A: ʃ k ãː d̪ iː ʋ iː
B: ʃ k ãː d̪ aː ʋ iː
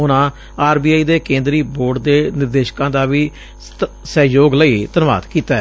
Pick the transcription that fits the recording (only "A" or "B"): B